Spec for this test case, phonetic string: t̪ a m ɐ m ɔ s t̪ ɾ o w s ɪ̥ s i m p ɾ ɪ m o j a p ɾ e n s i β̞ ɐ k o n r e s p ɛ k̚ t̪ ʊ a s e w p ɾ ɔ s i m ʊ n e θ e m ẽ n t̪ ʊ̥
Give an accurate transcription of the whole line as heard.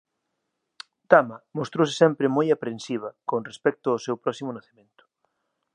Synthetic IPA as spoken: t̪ a m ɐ m o s t̪ ɾ o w s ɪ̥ s ɛ m p ɾ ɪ m o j a p ɾ e n s i β̞ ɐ k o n r e s p ɛ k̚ t̪ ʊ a s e w p ɾ ɔ s i m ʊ n a θ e m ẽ n t̪ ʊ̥